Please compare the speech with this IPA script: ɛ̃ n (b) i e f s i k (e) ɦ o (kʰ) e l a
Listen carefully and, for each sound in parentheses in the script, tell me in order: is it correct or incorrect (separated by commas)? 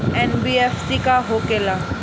correct, incorrect, incorrect